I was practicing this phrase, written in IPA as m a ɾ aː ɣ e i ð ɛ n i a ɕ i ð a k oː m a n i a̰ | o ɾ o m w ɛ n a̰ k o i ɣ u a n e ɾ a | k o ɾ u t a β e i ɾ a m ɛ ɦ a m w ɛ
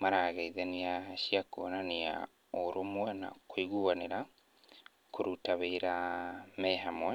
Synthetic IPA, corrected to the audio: m a ɾ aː ɣ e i ð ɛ n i a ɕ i a k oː n a n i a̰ | o ɾ o m w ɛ n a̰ k o i ɣ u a n e ɾ a | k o ɾ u t a β e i ɾ a m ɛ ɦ a m w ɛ

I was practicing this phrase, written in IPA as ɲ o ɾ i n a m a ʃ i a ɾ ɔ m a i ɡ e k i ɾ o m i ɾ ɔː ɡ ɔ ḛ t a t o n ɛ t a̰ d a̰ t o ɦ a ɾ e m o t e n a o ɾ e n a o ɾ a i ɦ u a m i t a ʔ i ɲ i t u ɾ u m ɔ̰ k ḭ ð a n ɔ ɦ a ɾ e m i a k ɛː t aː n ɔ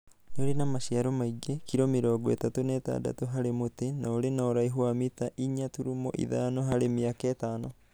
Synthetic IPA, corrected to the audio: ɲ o ɾ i n a m a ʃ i a ɾ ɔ m a i ɡ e k i ɾ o m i ɾ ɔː ɡ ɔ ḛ t a t o n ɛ t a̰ d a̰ t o ɦ a ɾ e m o t e n a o ɾ e n a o ɾ a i ɦ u a m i t a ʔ i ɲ a t u ɾ u m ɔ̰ ʔ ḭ ð a n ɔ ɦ a ɾ e m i a k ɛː t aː n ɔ

